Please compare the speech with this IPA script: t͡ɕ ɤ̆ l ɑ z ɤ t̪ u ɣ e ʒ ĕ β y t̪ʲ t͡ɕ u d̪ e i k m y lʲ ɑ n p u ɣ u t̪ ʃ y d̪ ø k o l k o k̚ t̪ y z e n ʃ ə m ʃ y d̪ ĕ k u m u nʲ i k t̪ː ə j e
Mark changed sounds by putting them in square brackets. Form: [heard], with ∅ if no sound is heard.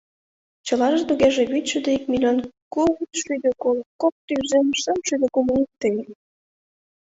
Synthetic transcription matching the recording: t͡ɕ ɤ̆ l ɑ [ʒ] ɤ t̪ u ɣ e ʒ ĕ β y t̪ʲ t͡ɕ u d̪ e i k m [i] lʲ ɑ n [k] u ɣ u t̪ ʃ y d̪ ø k o l k o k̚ t̪ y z e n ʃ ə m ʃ y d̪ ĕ k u m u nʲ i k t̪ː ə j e